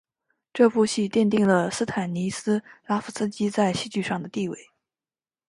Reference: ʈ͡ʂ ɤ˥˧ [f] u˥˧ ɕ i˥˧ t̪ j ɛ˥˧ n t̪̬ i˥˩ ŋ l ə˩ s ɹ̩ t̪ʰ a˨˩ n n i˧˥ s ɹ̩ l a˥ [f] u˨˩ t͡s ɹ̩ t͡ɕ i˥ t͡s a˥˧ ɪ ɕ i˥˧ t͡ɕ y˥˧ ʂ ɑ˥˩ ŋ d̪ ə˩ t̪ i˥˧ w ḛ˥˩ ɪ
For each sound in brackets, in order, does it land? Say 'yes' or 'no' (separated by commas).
yes, yes